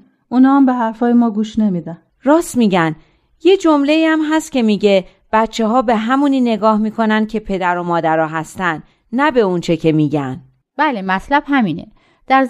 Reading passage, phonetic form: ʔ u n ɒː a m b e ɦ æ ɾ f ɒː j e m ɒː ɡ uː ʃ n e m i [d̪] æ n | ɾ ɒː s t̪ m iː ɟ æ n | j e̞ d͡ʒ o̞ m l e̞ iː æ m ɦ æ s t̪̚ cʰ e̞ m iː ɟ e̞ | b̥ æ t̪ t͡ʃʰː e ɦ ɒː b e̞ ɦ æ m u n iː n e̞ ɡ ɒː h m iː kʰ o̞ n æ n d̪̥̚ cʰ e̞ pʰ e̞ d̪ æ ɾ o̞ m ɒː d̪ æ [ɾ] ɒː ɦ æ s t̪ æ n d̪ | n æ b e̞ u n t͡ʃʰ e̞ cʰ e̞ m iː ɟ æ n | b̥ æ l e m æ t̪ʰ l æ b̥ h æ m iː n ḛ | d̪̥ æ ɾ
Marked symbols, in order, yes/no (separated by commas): yes, yes